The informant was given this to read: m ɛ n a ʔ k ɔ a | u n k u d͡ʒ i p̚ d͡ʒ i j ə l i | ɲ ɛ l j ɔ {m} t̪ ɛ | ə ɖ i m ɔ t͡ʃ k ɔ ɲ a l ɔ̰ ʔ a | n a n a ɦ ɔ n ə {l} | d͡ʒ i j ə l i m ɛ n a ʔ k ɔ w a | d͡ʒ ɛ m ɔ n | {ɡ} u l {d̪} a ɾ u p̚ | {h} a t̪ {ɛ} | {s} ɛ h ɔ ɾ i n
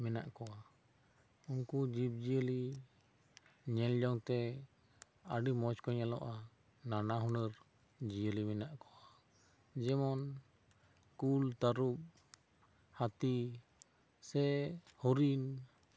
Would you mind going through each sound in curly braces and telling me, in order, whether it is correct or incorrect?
incorrect: ŋ, incorrect: ɾ, incorrect: k, incorrect: t̪, correct, incorrect: i, correct

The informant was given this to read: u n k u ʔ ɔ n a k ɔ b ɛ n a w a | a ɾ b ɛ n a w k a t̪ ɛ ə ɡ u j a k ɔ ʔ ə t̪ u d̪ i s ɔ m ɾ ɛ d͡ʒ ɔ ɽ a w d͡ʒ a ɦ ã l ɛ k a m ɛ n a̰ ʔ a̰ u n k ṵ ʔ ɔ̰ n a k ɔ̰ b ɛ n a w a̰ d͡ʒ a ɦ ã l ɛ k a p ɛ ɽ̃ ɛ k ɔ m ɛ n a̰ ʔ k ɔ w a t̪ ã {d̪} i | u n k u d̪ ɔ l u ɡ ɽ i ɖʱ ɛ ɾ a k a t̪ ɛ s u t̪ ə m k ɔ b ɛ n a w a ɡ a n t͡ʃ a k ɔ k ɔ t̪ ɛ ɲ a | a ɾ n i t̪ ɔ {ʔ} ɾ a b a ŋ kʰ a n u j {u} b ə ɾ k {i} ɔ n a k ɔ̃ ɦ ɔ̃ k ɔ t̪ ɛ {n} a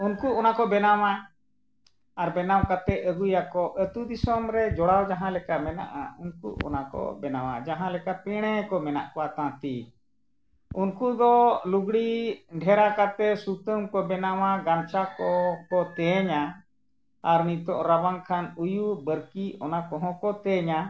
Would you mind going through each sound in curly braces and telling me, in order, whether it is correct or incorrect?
incorrect: t̪, correct, correct, correct, incorrect: ɲ

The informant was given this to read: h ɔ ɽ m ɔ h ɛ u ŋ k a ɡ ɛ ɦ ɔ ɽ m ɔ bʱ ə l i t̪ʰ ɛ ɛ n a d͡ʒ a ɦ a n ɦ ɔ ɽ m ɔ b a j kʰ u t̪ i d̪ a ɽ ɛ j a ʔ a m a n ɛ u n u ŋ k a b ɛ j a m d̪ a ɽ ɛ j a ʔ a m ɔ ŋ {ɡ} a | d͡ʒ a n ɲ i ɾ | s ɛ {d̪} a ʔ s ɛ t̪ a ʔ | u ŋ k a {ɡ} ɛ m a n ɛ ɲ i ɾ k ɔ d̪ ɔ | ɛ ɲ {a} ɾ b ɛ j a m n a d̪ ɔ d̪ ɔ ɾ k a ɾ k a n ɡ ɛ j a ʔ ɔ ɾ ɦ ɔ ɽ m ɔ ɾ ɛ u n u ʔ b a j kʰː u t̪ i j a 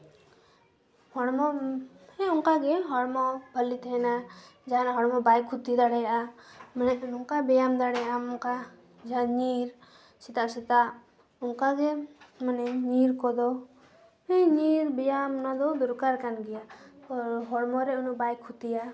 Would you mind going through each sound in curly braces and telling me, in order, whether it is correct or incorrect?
incorrect: k, incorrect: t̪, correct, incorrect: i

